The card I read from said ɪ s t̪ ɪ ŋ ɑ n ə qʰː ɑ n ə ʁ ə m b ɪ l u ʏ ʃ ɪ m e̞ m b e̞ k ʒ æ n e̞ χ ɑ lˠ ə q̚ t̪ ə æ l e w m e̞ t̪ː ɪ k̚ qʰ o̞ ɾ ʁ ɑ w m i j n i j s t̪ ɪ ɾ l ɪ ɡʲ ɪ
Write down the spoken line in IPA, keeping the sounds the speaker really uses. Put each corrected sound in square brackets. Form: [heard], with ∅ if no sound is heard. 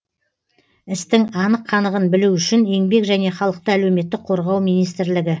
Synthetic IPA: ɪ s t̪ ɪ ŋ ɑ n ə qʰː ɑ n ə ʁ ə [n] b ɪ l u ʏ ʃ ɪ [n] e̞ [ŋ] b e̞ k ʒ æ n e̞ χ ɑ lˠ ə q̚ t̪ ə æ l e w m e̞ t̪ː ɪ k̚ qʰ o̞ ɾ ʁ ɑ w m i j n i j s t̪ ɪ ɾ l ɪ ɡʲ ɪ